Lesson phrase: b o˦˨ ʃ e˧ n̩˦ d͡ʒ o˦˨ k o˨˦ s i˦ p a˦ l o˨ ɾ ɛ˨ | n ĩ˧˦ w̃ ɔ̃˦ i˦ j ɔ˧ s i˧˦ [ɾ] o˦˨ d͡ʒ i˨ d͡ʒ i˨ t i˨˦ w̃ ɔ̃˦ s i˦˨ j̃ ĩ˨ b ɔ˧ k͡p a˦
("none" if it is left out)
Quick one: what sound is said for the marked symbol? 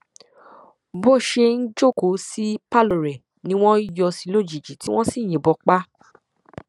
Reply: l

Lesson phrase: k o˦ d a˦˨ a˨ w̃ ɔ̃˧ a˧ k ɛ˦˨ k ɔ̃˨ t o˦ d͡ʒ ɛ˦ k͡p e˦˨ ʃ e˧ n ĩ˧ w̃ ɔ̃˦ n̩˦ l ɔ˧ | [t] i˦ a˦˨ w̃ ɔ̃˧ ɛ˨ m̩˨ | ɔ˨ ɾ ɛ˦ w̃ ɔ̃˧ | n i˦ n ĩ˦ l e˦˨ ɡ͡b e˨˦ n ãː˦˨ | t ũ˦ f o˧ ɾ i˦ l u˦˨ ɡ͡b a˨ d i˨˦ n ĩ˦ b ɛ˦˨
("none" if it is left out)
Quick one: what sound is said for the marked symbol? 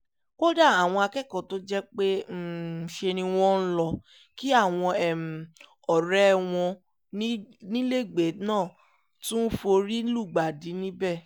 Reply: k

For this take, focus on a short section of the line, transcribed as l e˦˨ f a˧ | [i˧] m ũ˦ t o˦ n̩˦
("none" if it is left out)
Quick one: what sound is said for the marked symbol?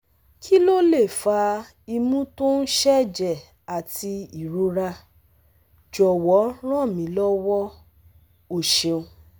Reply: i˧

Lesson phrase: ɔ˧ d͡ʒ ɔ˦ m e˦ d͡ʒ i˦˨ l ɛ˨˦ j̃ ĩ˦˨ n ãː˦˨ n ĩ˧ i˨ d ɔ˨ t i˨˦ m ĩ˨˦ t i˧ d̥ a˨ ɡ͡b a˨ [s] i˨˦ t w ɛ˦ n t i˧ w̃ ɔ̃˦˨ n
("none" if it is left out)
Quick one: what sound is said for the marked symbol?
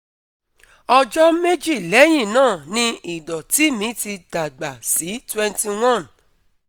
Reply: s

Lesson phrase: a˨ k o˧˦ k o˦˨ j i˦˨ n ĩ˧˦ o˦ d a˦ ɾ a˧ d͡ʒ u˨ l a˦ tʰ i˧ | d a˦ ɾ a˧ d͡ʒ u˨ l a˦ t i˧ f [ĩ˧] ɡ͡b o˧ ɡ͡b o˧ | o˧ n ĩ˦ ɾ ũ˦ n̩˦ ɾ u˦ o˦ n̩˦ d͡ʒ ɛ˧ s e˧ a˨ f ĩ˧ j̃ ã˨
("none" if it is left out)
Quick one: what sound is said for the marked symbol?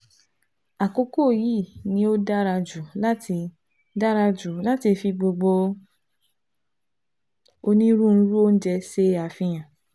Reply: i˧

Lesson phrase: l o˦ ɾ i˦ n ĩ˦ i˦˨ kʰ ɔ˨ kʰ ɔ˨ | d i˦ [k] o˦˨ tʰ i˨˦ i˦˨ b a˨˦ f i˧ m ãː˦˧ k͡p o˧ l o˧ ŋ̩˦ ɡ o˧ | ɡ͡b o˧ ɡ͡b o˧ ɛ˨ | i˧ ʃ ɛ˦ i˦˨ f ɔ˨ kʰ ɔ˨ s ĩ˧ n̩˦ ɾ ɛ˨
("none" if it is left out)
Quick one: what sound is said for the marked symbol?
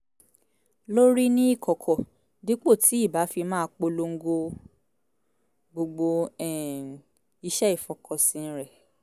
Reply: k͡p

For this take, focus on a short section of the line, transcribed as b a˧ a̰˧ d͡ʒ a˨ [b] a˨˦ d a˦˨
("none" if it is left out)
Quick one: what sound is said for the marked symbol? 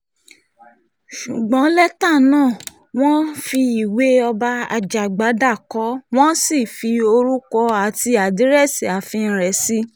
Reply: ɡ͡b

